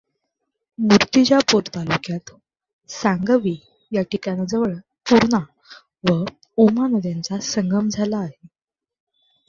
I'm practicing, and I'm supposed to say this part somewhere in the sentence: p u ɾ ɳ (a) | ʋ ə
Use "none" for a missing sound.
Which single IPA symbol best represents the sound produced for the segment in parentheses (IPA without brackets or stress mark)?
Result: a